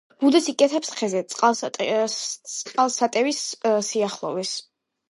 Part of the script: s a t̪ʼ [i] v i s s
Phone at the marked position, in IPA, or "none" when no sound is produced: ɛ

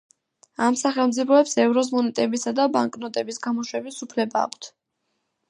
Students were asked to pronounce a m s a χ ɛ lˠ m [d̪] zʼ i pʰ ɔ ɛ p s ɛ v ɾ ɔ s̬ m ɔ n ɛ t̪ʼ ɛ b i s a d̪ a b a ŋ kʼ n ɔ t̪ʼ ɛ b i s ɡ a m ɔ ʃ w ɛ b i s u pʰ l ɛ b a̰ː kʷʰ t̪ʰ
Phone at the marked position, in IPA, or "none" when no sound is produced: t̪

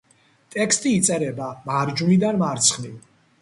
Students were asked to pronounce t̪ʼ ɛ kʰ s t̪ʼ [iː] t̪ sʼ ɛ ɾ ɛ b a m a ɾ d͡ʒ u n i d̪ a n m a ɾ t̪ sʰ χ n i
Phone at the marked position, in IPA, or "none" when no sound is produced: iː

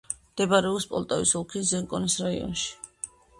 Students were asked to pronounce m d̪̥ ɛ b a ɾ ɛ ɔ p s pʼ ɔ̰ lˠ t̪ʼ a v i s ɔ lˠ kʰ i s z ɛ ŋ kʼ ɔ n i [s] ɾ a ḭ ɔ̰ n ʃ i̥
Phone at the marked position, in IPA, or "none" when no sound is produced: s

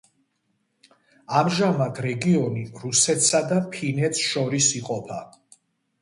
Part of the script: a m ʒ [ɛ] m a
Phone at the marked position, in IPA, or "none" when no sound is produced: a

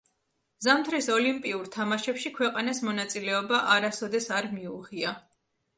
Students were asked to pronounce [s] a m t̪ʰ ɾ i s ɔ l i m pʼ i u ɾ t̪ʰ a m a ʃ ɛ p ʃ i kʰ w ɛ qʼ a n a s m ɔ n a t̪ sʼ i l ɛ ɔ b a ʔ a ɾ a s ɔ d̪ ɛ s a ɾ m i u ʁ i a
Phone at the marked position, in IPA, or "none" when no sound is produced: z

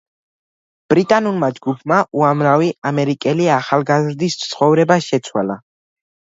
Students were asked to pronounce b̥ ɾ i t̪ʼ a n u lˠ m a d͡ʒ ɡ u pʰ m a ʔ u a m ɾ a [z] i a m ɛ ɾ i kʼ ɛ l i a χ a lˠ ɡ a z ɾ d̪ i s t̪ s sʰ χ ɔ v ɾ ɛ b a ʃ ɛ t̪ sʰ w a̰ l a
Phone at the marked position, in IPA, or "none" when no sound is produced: v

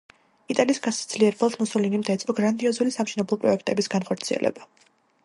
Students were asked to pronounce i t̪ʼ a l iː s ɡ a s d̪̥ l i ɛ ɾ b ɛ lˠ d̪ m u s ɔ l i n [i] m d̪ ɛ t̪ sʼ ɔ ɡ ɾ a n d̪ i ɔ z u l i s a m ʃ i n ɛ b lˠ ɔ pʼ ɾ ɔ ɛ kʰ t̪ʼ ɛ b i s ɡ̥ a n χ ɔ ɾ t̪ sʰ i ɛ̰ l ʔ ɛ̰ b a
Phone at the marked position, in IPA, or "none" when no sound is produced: i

